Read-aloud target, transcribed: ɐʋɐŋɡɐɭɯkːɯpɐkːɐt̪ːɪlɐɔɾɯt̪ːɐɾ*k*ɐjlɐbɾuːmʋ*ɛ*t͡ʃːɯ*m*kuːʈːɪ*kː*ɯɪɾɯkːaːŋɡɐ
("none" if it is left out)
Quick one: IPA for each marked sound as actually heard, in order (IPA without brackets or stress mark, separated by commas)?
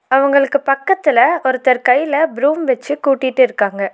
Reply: k, ɛ, none, ʈː